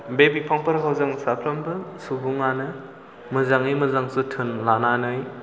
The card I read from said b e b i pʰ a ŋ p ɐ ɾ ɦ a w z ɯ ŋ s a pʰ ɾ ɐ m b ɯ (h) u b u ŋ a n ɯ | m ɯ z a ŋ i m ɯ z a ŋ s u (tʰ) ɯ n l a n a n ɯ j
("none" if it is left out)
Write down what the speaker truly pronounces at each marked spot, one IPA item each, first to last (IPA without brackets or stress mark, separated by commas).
s, tʰ